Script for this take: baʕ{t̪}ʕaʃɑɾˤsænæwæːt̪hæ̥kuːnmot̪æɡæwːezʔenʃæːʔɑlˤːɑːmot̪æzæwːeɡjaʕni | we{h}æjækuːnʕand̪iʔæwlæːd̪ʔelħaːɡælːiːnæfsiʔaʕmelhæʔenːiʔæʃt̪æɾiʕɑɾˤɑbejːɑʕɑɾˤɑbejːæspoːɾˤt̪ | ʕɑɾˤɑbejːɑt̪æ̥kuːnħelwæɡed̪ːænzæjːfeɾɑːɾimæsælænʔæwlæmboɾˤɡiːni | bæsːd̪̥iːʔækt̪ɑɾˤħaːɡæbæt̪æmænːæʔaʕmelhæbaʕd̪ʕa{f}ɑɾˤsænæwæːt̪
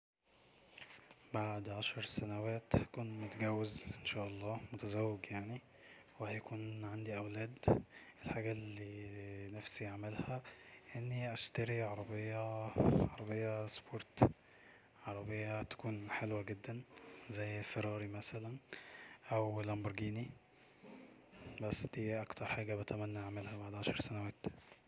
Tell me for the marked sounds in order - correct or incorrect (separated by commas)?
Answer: incorrect, correct, incorrect